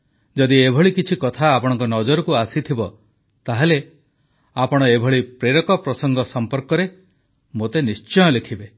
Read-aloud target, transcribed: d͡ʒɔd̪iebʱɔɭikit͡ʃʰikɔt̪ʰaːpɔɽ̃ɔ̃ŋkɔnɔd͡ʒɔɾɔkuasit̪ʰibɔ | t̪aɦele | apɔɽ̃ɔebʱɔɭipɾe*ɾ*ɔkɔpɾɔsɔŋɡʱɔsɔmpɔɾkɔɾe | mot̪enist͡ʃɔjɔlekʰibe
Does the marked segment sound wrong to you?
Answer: no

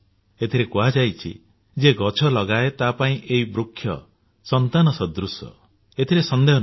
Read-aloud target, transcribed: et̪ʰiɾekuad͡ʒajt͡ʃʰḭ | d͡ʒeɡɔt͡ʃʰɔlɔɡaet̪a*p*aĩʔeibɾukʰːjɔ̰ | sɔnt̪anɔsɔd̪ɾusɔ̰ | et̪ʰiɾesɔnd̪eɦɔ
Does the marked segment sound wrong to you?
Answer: no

